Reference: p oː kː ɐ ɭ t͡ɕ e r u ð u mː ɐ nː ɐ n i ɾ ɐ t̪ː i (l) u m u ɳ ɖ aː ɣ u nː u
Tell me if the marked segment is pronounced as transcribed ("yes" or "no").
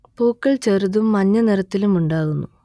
yes